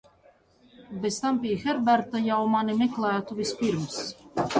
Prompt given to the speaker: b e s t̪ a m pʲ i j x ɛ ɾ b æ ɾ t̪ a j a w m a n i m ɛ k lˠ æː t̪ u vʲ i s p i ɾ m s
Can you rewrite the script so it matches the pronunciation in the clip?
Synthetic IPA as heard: b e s t̪ a m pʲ i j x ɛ ɾ b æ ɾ t̪ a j a w m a n i m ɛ k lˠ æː t̪ u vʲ i s p i ɾ m s